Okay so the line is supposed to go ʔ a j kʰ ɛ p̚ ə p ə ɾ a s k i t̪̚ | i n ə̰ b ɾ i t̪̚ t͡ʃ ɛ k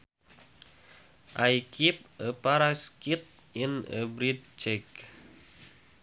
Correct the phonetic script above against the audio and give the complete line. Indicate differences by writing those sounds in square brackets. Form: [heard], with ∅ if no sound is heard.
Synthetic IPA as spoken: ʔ a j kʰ [i] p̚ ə p [a] ɾ a s k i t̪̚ | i n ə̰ b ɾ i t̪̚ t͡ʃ ɛ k